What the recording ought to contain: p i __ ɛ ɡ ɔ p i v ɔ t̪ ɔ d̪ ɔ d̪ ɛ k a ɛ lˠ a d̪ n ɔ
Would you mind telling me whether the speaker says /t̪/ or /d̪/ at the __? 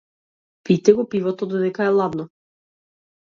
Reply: t̪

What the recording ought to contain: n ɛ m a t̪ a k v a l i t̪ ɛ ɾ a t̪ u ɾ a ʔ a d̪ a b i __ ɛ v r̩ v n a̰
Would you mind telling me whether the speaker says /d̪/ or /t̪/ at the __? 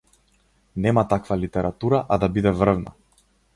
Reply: d̪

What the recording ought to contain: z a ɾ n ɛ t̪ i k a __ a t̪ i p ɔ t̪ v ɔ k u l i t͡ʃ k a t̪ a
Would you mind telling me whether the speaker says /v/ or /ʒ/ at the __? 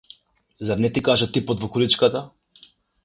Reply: ʒ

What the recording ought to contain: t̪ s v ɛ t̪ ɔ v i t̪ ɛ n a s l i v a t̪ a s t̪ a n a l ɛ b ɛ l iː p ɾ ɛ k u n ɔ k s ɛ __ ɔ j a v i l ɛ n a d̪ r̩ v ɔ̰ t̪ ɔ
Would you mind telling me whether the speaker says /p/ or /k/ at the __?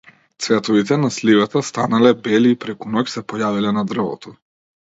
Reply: p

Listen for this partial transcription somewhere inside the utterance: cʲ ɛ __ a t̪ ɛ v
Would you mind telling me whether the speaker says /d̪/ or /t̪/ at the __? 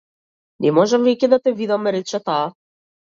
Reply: d̪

